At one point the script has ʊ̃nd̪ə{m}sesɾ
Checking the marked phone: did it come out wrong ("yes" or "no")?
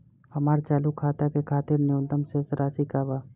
no